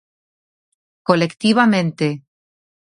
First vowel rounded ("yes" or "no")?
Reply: yes